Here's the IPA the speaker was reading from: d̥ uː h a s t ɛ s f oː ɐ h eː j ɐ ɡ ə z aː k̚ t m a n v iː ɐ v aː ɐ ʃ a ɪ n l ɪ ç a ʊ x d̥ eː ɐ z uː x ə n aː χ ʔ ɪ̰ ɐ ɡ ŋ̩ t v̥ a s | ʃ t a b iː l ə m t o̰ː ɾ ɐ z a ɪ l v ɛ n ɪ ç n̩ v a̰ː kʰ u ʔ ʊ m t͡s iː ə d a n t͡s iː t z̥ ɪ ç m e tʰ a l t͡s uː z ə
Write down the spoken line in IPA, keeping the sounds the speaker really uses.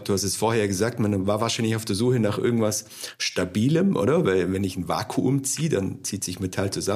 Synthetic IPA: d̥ uː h a s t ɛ s f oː ɐ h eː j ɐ ɡ ə z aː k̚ t m a n v aː ɐ v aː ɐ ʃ a ɪ n l ɪ ç a ʊ f d̥ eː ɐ z uː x ə n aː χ ʔ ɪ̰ ɐ ɡ ŋ̩ t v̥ a s | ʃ t a b iː l ə m ʔ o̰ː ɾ ɐ v a ɪ l v ɛ n ɪ ç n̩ v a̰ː kʰ u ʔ ʊ m t͡s iː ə d a n t͡s iː t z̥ ɪ ç m e tʰ a l t͡s u z a